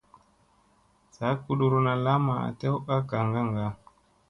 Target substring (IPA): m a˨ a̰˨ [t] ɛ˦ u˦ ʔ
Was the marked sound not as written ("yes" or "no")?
no